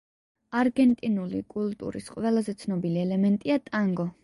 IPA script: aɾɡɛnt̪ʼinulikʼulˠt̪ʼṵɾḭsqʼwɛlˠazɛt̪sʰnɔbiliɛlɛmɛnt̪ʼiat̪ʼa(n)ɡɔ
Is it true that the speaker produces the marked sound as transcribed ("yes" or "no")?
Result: no